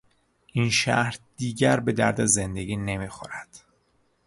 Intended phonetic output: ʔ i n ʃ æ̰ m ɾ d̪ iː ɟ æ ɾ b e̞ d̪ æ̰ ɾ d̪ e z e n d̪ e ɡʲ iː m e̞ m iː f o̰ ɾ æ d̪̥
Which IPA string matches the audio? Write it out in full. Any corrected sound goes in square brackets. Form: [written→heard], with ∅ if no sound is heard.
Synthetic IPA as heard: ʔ i n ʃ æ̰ [m→∅] ɾ d̪ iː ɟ æ ɾ b e̞ d̪ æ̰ ɾ d̪ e z e n d̪ e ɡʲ iː [m→n] e̞ m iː [f→x] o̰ ɾ æ d̪̥